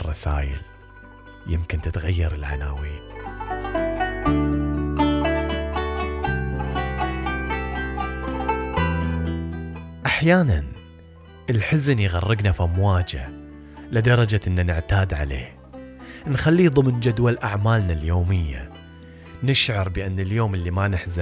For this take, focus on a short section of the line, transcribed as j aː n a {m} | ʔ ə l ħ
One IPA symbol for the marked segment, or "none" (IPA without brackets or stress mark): n